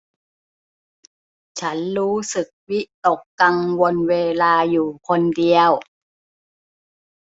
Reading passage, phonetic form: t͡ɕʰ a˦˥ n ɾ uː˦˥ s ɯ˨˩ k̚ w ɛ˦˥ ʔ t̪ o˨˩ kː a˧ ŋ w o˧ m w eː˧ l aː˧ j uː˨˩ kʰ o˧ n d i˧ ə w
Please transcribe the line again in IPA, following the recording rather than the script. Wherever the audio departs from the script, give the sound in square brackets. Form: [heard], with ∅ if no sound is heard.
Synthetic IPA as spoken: t͡ɕʰ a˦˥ n ɾ uː˦˥ s ɯ˨˩ k̚ w [i˦˥] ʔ t̪ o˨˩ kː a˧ ŋ w o˧ [n] w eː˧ l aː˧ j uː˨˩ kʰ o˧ n d i˧ ə w